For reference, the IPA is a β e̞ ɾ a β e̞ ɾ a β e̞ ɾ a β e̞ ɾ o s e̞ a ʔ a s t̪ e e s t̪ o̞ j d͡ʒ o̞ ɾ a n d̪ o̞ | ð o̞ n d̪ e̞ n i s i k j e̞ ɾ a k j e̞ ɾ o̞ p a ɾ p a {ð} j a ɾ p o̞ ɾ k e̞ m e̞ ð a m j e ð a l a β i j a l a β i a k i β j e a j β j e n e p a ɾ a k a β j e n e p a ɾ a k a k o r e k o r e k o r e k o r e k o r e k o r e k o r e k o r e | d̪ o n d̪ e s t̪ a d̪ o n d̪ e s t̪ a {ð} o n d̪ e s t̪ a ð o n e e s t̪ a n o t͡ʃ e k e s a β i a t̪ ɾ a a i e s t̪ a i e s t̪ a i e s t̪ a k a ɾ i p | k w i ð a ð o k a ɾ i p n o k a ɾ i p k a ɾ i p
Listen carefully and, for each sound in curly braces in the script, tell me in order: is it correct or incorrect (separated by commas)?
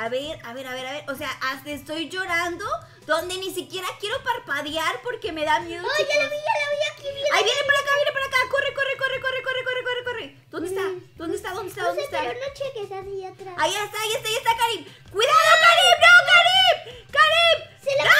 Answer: correct, correct